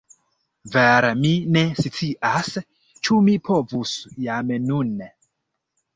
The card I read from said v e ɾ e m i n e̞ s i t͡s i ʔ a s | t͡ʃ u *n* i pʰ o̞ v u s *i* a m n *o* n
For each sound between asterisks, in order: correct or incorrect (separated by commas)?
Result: incorrect, incorrect, incorrect